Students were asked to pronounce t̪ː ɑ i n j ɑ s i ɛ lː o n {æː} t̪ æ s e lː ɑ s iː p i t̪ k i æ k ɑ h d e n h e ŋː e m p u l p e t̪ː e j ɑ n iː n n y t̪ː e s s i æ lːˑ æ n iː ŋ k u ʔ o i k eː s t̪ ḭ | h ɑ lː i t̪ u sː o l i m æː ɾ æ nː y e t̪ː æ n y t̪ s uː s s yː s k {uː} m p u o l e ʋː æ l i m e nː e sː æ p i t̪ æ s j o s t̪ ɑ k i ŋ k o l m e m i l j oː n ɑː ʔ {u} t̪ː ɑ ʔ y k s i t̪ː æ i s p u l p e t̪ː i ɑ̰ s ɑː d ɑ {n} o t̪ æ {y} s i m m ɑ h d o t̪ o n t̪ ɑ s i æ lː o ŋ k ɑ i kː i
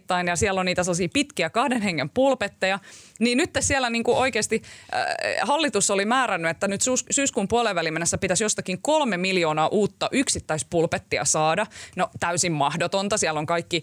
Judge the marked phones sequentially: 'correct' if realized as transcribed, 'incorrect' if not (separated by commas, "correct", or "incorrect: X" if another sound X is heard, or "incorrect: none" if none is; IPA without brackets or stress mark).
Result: incorrect: iː, correct, incorrect: uː, correct, correct